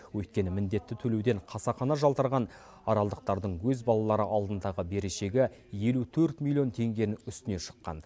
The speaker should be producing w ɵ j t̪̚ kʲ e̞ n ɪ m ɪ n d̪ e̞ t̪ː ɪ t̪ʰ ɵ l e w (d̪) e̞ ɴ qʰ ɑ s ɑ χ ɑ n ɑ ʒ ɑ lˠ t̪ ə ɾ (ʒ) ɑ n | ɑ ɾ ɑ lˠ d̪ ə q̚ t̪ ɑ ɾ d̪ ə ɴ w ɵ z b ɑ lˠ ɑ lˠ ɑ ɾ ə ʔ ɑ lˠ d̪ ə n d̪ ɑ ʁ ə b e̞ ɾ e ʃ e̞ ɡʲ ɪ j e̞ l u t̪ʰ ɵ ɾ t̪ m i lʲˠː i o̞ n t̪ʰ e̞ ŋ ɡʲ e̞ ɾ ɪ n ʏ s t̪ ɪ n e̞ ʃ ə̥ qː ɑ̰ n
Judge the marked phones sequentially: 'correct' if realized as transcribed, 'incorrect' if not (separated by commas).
correct, incorrect